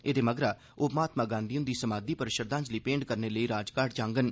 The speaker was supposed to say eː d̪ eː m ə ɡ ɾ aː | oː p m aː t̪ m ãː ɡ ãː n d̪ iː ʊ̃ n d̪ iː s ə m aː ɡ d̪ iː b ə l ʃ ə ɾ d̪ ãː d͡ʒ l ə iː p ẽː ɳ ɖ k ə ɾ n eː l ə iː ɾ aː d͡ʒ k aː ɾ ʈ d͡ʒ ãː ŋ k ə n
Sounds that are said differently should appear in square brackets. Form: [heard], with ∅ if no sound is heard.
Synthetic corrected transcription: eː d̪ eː m ə ɡ ɾ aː | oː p m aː t̪ m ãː ɡ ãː n d̪ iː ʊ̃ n d̪ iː s ə m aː [∅] d̪ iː [p] ə [ɾ] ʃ ə ɾ d̪ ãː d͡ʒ l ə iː p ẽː ɳ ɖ k ə ɾ n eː l ə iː ɾ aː d͡ʒ k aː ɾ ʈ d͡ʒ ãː ŋ [ɡ] ə n